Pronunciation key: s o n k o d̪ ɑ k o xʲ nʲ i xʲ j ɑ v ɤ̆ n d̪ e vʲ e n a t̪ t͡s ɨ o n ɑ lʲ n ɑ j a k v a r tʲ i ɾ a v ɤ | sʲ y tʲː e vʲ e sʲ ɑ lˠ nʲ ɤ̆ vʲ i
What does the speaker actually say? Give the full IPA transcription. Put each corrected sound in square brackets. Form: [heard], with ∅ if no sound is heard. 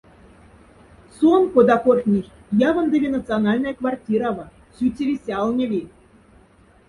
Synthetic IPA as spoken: s o n k o d̪ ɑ k o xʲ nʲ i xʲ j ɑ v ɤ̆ n d̪ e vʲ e n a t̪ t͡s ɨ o n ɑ lʲ n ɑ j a k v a r tʲ i ɾ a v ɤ | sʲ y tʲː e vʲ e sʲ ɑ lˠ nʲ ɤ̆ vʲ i